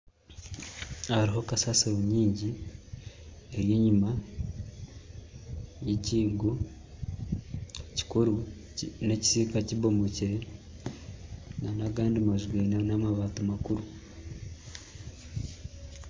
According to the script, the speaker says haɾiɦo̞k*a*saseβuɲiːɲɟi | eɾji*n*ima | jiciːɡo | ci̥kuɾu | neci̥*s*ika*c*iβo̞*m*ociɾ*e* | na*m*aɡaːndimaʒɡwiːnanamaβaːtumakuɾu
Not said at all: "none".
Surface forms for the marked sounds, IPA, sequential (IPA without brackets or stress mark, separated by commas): a, ɲ, s, c, m, e, n